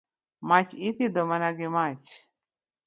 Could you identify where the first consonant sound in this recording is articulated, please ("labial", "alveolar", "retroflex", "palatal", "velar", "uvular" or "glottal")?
labial